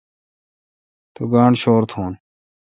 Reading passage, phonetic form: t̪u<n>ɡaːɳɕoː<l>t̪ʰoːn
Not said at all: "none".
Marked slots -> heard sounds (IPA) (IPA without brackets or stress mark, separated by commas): none, ɾ